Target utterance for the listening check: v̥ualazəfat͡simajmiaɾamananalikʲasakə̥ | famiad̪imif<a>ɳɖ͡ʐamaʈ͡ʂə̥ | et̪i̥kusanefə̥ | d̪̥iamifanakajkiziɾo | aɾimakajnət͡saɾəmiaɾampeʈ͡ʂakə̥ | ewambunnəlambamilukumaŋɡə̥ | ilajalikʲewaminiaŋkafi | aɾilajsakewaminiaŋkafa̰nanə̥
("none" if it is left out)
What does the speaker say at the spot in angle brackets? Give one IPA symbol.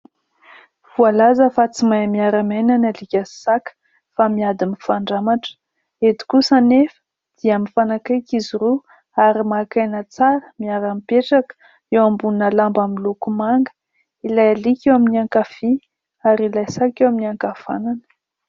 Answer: a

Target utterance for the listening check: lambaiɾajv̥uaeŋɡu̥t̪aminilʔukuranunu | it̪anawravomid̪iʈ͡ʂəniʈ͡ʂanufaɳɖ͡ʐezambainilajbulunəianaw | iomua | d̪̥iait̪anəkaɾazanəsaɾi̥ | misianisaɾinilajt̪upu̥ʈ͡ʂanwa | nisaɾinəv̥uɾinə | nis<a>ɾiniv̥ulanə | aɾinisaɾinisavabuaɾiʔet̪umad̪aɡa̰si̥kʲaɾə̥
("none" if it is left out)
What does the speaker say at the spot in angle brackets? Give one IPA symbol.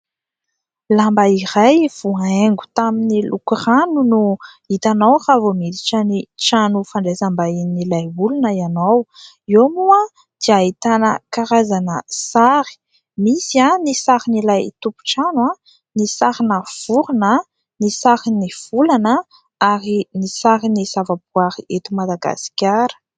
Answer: a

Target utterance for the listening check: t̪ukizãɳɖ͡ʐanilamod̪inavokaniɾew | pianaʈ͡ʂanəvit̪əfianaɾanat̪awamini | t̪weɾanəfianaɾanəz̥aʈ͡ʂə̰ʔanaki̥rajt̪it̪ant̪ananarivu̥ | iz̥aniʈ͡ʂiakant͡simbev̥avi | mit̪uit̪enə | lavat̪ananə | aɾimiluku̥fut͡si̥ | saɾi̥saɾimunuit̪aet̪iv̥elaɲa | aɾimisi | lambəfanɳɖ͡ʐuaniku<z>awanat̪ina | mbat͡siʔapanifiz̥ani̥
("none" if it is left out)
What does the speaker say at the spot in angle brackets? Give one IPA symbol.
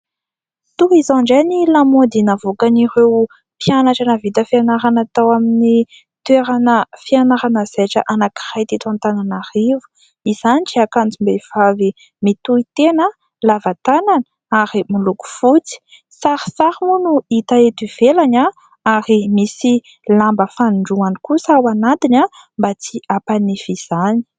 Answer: s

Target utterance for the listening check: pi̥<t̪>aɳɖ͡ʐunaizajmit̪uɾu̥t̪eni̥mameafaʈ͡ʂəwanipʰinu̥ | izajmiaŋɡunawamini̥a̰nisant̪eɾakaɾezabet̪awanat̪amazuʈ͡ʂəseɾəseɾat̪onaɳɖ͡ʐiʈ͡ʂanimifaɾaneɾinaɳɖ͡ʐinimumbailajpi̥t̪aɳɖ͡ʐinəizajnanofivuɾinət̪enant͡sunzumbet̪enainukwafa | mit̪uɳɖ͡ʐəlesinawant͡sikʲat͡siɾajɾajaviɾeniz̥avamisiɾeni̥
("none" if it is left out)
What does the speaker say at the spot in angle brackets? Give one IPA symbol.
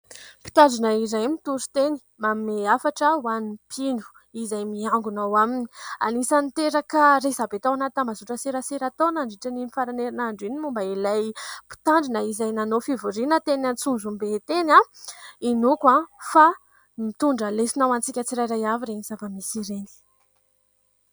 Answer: t̪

